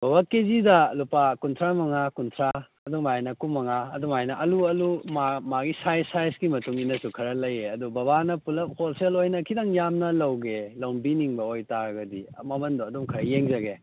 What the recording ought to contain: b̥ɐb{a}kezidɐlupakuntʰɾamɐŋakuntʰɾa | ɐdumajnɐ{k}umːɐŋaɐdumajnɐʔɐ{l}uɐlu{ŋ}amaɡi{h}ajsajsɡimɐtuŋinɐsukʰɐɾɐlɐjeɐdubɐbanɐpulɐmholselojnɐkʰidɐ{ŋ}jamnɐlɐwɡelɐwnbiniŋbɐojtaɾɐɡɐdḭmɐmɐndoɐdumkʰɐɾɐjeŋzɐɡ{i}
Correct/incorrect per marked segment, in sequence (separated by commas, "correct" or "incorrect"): correct, correct, correct, incorrect, incorrect, correct, incorrect